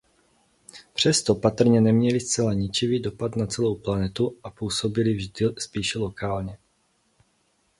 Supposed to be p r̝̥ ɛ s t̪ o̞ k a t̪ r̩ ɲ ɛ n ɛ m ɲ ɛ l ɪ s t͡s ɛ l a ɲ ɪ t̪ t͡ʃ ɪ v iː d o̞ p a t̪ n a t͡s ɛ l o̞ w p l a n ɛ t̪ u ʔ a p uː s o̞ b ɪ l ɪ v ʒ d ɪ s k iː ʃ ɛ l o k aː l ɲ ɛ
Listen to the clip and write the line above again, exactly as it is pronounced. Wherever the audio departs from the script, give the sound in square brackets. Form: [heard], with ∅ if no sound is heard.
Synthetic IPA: p r̝̥ ɛ s t̪ o̞ [p] a t̪ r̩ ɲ ɛ n ɛ m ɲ ɛ l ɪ s t͡s ɛ l a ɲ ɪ [∅] t͡ʃ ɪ v iː d o̞ p a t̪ n a t͡s ɛ l o̞ w p l a n ɛ t̪ u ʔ a p uː s o̞ b ɪ l ɪ v ʒ d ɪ s [p] iː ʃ ɛ l o k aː l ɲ ɛ